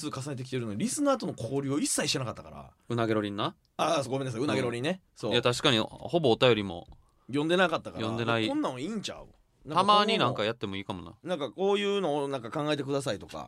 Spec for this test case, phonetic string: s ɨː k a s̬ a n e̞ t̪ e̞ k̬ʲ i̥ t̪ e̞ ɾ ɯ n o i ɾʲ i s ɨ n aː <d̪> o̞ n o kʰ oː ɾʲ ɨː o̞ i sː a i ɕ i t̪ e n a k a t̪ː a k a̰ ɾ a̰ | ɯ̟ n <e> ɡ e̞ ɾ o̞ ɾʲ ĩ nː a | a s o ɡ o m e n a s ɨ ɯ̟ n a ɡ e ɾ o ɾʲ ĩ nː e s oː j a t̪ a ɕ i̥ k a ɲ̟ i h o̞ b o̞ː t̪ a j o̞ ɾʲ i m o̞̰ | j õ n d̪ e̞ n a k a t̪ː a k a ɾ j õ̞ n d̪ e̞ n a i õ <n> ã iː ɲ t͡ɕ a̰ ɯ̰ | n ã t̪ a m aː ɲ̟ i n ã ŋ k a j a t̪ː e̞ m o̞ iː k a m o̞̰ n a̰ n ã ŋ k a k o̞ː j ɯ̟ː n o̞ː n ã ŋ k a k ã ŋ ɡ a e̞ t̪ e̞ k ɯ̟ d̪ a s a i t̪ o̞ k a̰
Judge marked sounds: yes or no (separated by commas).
no, no, no